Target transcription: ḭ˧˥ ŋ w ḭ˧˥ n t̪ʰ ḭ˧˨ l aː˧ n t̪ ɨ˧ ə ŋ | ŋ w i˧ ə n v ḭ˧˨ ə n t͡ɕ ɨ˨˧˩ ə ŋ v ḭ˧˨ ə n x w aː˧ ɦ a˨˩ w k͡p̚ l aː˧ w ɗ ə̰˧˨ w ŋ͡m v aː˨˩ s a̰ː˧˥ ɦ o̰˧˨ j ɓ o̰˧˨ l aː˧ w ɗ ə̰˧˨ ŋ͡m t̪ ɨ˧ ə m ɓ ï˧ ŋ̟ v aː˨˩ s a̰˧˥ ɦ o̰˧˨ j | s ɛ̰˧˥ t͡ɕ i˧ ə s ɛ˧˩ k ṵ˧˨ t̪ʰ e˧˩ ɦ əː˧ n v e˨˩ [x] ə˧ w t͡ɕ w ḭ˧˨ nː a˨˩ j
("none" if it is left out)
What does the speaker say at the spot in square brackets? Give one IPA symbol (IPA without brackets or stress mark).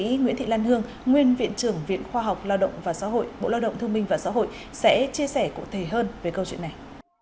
k